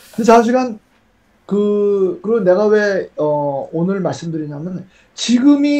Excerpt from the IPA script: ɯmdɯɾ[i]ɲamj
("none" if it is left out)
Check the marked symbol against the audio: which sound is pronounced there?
i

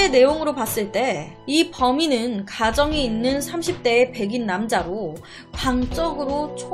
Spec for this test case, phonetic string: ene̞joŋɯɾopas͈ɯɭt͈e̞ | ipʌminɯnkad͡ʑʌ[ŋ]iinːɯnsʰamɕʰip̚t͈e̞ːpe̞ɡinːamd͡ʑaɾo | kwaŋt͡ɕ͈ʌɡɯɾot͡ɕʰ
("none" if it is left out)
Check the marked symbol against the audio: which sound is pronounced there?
ŋ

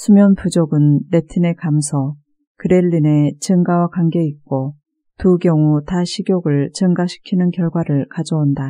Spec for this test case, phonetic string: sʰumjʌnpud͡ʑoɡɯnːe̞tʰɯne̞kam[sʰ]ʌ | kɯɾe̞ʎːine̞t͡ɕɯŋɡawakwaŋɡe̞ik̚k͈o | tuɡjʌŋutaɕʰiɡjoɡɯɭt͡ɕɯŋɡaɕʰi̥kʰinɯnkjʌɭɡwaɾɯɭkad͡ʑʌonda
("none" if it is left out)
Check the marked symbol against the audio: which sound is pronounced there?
sʰ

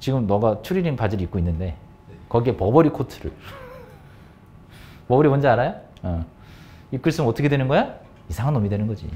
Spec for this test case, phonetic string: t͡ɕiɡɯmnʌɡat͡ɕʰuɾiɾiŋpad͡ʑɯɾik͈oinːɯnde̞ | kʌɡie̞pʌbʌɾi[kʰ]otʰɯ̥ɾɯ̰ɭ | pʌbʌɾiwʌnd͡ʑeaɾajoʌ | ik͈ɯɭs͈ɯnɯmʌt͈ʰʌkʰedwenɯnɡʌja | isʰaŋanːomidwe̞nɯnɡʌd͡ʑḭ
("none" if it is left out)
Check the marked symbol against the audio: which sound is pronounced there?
kʰ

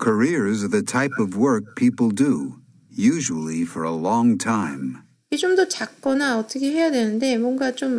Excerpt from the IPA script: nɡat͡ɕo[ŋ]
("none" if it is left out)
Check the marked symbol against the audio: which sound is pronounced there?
m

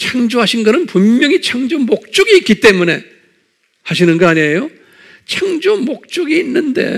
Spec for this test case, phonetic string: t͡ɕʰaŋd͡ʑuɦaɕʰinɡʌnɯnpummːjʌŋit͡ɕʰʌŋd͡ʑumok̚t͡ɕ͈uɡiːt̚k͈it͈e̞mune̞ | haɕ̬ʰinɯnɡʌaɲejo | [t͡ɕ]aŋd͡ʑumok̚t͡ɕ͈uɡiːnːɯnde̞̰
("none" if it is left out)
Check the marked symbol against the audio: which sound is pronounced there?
t͡ɕʰ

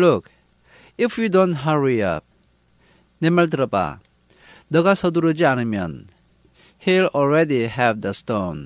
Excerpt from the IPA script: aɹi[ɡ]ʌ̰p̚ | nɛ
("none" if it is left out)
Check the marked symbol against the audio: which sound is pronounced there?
none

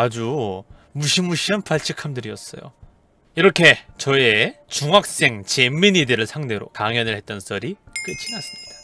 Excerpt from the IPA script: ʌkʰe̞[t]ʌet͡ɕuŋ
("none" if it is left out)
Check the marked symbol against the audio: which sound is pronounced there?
t͡ɕ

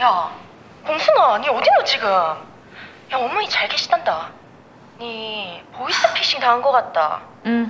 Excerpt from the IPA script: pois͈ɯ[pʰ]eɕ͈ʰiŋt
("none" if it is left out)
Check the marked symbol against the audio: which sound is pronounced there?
pʰ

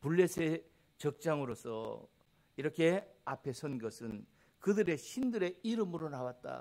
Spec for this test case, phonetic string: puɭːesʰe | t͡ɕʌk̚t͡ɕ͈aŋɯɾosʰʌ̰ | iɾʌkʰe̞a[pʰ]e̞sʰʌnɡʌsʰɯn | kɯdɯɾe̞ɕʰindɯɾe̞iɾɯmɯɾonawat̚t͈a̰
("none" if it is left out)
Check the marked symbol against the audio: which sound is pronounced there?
pʰ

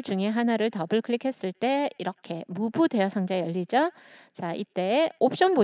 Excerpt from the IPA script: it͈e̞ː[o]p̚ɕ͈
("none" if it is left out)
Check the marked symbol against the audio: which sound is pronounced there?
o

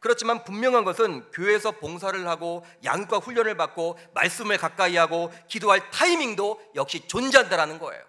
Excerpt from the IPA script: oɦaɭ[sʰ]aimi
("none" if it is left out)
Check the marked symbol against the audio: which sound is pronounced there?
tʰ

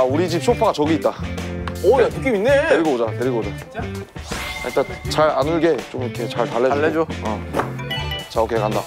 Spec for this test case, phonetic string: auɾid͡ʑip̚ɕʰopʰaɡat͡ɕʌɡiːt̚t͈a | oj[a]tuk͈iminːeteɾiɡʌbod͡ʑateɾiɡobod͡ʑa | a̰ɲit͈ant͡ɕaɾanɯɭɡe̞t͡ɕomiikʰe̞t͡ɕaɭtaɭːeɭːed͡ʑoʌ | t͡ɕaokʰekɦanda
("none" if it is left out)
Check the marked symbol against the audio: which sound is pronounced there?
a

